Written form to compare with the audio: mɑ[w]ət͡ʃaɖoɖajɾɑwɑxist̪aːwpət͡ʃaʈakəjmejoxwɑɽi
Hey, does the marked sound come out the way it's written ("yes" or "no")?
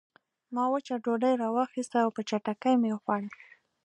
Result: yes